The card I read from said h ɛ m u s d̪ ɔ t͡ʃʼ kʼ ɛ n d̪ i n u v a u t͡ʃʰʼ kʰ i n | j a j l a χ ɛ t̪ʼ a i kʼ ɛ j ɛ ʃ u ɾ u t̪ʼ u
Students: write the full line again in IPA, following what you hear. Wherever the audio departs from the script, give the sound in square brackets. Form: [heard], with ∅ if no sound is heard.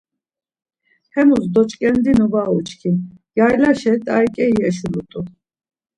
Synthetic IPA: h ɛ m u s d̪ ɔ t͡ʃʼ kʼ ɛ n d̪ i n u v a u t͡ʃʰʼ kʰ i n | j a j l a [ʃ] ɛ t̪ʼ a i kʼ ɛ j ɛ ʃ u [l] u t̪ʼ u